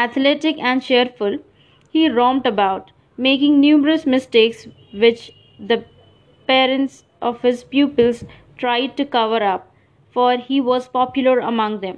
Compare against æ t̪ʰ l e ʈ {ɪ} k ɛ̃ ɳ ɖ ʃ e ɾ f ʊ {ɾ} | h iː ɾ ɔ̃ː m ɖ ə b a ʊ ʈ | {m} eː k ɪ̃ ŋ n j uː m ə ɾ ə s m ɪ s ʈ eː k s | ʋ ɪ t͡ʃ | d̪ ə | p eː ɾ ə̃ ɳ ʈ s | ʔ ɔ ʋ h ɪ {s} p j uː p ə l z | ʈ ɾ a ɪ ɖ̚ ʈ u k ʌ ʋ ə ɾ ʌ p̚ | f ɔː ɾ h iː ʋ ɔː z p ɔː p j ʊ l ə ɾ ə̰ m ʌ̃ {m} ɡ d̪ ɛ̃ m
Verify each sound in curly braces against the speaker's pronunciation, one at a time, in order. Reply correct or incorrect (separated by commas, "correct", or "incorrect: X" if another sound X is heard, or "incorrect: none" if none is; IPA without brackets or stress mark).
correct, incorrect: l, correct, incorrect: z, incorrect: ŋ